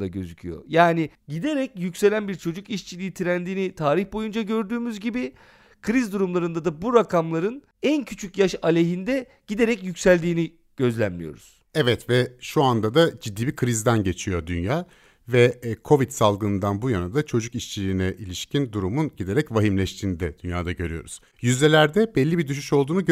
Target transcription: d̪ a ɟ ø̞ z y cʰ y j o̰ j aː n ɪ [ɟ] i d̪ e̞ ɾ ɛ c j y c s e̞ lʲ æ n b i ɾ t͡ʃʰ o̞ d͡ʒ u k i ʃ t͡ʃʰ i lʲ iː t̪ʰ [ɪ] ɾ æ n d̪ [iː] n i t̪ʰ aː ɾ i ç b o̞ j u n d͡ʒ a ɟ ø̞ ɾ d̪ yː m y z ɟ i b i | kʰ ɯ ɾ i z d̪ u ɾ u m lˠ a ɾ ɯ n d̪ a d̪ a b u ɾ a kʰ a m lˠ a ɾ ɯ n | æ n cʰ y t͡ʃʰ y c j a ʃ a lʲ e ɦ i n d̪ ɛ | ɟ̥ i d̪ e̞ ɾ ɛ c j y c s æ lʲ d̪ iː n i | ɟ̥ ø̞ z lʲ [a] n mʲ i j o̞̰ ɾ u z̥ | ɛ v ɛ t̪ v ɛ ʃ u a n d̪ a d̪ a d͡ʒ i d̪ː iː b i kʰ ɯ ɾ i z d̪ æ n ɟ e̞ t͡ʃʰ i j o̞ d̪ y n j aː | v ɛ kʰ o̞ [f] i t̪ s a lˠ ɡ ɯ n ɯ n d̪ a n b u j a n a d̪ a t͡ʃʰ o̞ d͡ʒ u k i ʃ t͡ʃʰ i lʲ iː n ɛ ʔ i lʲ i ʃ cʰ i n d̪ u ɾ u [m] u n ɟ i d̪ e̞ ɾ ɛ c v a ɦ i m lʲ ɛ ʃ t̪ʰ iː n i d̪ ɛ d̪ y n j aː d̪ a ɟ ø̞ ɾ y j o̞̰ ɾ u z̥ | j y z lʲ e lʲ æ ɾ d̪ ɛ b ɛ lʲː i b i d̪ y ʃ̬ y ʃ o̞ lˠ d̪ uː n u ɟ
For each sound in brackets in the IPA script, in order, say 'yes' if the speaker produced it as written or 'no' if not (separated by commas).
yes, no, yes, no, no, yes